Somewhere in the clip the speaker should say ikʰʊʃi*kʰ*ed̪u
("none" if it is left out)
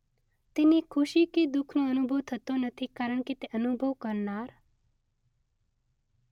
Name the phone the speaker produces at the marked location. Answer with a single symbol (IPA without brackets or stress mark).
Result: k